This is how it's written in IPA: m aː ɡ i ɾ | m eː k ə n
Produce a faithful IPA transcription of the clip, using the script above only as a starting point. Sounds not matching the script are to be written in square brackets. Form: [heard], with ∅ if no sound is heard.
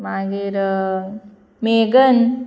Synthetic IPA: m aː ɡ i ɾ | m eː [ɡ] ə n